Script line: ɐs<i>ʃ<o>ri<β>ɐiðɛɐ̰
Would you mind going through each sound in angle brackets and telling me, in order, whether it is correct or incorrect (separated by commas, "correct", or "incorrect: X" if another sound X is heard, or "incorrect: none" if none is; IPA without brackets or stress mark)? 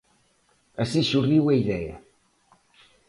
correct, incorrect: u, incorrect: w